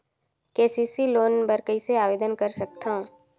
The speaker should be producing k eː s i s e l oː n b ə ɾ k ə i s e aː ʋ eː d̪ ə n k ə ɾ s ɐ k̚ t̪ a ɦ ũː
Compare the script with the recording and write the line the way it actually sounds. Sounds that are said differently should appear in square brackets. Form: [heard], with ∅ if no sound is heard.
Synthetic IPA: k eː s i s [i] l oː n b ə ɾ k ə i s e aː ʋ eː d̪ ə n k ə ɾ s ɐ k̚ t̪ a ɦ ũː